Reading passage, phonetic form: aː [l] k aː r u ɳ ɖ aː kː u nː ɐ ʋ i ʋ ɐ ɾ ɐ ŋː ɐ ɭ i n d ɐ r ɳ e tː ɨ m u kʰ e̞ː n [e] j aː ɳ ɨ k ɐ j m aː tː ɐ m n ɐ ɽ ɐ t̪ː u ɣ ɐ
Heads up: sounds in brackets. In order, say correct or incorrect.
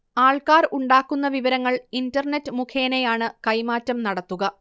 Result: incorrect, correct

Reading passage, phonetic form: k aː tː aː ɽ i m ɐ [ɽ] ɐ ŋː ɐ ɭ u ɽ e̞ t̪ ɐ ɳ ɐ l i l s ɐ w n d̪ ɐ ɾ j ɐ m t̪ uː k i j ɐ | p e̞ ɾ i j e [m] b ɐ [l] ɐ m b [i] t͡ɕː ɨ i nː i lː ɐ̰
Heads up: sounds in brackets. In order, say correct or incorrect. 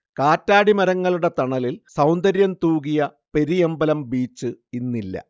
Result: incorrect, correct, correct, incorrect

